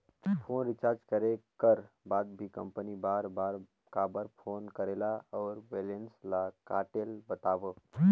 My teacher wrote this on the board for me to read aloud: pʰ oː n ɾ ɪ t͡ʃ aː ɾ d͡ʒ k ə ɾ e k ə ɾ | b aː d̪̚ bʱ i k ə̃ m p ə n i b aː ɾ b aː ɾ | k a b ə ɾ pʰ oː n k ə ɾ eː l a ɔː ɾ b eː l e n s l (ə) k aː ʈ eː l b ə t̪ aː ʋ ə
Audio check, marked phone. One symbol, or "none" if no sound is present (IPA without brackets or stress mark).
a